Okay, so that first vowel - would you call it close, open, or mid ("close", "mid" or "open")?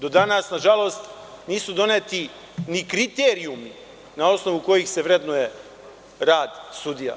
mid